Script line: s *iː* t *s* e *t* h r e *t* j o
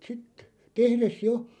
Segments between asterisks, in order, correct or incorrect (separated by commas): incorrect, incorrect, incorrect, incorrect